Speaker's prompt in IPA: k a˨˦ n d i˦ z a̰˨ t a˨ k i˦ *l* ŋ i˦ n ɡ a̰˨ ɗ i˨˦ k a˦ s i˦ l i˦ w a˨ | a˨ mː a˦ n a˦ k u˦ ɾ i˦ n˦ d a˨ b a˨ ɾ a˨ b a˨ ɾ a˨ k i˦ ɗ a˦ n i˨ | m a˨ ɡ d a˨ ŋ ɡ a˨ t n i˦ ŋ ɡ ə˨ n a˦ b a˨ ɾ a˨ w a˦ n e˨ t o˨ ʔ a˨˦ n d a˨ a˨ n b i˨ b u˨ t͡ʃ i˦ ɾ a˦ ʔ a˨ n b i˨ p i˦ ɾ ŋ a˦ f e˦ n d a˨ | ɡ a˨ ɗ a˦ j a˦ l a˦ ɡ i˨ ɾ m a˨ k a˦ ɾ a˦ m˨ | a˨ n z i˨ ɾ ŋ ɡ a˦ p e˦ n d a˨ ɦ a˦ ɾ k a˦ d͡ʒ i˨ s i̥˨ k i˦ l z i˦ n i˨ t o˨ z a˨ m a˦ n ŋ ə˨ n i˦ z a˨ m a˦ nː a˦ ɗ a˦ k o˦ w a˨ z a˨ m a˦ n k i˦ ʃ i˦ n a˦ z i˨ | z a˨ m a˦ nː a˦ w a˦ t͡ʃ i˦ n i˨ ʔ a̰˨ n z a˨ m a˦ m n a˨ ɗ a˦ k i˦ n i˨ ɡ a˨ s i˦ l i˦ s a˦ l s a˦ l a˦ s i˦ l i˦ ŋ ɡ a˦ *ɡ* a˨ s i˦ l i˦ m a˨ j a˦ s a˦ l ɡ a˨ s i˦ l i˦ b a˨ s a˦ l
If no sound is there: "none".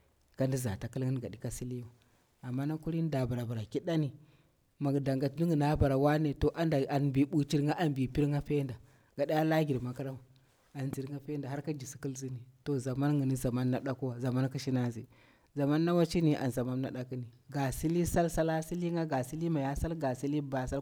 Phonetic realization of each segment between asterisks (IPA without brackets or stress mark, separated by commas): l, ɡ